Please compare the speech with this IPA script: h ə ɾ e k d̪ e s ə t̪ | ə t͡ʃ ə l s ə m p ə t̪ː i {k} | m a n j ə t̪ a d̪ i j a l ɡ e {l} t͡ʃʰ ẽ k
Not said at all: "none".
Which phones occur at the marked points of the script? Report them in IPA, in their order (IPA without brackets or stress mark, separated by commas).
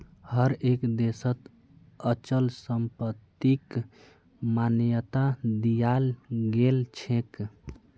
k, l